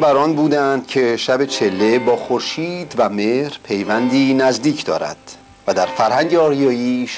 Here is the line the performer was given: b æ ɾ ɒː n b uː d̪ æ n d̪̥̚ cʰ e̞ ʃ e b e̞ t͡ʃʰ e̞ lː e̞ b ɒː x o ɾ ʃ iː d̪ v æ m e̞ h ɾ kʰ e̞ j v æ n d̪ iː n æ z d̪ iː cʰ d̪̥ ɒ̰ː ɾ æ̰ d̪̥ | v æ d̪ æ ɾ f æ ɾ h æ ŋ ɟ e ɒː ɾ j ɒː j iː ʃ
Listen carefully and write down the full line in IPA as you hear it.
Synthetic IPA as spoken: b æ ɾ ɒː n b uː d̪ æ n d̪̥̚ cʰ e̞ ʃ æ b e̞ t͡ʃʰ e̞ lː e̞ b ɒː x o ɾ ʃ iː d̪ v æ m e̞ h ɾ pʰ e̞ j v æ n d̪ iː n æ z d̪ iː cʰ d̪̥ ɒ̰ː ɾ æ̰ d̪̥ | v æ d̪ æ ɾ f æ ɾ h æ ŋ ɟ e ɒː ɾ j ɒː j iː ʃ